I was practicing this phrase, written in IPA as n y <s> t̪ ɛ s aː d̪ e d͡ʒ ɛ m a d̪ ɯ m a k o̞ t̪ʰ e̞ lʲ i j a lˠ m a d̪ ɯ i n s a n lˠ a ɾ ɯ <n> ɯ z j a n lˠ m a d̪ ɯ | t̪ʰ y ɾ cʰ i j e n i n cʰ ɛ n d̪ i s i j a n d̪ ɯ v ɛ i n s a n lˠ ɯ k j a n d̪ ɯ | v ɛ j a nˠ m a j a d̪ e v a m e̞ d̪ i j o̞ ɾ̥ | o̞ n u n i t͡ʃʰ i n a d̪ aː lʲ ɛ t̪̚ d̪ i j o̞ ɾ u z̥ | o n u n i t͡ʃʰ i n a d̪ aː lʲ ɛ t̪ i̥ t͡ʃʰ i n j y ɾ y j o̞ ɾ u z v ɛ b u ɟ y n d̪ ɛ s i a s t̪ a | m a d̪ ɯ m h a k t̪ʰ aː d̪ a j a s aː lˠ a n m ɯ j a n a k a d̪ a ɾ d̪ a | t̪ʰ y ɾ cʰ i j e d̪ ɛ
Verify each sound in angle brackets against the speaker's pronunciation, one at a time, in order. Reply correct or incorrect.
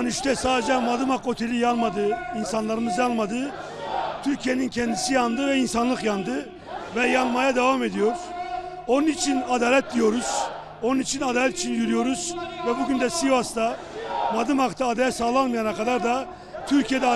incorrect, incorrect

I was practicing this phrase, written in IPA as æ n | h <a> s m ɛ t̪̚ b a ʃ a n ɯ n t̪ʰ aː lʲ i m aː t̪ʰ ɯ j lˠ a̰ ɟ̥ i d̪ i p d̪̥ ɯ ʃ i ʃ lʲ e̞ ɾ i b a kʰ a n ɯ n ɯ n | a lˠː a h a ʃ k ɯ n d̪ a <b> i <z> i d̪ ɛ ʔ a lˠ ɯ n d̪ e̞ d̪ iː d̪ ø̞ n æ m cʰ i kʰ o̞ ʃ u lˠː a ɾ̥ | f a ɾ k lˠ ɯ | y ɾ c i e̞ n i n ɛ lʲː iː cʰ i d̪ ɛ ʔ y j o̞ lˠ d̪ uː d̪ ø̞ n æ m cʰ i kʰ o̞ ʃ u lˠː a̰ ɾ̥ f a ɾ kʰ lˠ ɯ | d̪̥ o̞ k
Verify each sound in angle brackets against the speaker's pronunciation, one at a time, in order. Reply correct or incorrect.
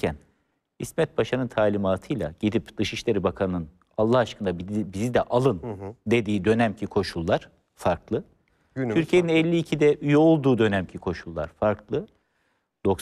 incorrect, correct, correct

